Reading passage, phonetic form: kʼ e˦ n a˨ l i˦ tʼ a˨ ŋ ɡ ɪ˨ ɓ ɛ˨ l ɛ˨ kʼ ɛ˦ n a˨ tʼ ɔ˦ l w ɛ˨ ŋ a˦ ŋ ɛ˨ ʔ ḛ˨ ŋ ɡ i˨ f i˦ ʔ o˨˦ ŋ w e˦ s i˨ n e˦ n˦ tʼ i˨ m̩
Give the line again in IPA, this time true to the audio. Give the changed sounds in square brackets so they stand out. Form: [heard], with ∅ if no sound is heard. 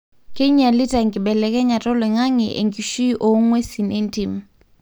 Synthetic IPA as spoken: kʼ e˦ [ɲ] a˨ l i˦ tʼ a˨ ŋ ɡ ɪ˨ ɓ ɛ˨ l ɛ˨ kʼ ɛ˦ [ɲ] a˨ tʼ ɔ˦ l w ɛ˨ ŋ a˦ ŋ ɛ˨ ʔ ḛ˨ ŋ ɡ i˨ [ʃ] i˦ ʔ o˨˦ ŋ w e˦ s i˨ n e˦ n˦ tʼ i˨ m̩